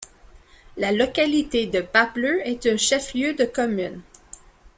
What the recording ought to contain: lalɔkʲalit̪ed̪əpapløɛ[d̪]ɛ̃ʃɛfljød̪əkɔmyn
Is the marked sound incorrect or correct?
incorrect